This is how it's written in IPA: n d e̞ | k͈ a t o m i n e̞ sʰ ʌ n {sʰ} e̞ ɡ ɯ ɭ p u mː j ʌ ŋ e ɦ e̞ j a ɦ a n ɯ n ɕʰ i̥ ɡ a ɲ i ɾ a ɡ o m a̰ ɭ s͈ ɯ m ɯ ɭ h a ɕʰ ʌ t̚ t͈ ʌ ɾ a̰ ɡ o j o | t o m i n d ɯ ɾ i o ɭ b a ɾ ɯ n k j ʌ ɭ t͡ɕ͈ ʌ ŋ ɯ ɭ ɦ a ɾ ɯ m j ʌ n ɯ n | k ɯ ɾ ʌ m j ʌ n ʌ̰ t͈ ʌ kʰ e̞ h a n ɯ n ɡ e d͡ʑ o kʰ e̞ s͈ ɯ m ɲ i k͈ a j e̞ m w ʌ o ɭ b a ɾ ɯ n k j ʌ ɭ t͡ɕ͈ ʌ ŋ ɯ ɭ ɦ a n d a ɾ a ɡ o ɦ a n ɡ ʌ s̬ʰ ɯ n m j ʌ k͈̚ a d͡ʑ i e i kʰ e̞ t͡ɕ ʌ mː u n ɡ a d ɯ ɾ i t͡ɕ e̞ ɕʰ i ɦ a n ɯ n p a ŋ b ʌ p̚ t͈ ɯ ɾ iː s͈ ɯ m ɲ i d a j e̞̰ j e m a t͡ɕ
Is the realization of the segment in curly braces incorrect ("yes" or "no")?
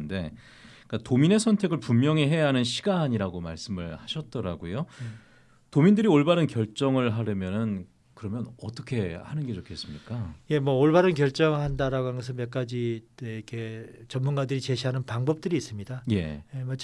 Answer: yes